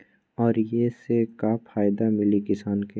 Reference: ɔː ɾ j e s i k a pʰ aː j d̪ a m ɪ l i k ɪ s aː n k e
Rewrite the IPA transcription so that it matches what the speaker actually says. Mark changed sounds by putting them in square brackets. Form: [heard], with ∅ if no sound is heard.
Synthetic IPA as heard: ɔː ɾ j e s [e] k a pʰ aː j d̪ a m ɪ l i k ɪ s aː n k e

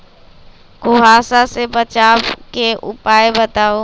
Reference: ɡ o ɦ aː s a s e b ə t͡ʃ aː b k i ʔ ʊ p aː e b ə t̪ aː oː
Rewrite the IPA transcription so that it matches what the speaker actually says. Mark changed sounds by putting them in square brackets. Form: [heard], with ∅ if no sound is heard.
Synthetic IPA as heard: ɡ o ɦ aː s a s e b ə t͡ʃ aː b k [e] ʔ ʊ p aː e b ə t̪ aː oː

